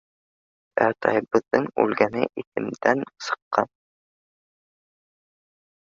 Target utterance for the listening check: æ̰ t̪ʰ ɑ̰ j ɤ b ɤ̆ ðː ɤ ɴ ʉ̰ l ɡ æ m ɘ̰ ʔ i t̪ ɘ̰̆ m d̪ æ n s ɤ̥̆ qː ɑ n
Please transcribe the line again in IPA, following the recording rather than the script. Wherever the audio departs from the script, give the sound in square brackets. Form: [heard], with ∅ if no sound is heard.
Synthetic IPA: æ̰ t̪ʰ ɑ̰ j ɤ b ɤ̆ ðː ɤ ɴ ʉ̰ l ɡ æ [n] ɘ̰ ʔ i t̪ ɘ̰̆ m d̪ æ n s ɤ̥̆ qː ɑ n